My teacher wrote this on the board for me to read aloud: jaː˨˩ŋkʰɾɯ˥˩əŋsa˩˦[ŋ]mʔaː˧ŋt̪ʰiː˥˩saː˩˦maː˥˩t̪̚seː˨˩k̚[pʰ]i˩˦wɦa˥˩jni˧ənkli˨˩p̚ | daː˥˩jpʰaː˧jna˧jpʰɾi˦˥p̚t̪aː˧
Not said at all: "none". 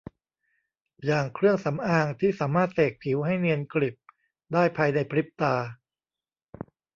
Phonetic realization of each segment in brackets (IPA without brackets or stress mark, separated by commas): none, pʰ